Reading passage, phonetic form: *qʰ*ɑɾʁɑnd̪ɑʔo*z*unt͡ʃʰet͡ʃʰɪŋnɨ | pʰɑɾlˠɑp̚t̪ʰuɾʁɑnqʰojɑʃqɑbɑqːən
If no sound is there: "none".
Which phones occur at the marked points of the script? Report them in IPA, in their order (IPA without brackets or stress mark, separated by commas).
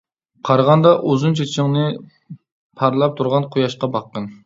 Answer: qʰ, z